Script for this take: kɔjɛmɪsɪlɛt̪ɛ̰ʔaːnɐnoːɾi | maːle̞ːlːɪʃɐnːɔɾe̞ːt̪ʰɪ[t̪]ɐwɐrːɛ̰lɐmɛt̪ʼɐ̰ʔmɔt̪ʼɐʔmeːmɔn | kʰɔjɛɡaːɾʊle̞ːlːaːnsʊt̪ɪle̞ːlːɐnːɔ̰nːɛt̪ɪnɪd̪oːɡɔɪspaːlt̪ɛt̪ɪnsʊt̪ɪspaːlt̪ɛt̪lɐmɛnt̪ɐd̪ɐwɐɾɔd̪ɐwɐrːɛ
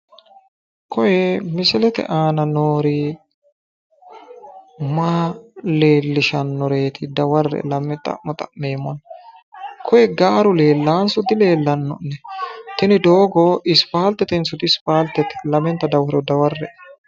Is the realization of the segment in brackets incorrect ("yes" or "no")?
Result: yes